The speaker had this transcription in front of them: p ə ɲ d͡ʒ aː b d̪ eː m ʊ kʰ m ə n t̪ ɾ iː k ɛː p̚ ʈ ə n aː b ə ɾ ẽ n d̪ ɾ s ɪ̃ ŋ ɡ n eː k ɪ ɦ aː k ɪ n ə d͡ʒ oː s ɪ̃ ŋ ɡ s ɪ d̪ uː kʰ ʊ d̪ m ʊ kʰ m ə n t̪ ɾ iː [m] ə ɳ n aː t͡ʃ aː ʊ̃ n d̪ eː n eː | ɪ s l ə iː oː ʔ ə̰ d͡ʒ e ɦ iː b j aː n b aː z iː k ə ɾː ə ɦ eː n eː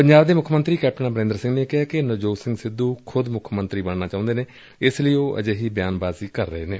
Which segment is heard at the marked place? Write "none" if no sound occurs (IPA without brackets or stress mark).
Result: b